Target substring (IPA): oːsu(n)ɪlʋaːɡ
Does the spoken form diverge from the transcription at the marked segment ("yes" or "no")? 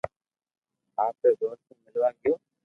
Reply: yes